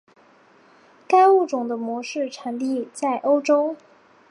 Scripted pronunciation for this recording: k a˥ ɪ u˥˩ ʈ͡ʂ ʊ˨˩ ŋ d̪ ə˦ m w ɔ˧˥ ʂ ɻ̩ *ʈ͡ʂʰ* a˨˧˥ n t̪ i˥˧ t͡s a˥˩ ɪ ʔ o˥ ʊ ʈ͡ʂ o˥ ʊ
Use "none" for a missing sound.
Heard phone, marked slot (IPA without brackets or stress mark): ʈ͡ʂʰ